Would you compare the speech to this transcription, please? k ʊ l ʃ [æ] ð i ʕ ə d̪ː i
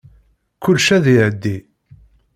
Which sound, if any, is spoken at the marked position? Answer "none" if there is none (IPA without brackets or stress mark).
æ